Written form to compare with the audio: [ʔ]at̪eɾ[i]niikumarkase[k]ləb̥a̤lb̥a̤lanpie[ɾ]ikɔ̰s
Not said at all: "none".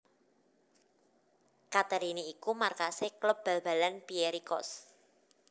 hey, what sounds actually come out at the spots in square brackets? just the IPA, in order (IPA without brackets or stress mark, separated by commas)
k, i, k, ɾ